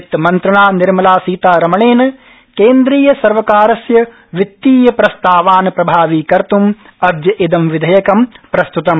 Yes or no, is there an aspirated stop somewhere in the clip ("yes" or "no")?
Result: no